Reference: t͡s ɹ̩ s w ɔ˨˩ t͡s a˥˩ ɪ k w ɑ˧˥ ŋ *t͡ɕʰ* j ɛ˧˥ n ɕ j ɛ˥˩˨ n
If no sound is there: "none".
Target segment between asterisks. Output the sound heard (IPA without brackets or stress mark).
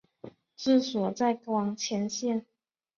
t͡ɕʰ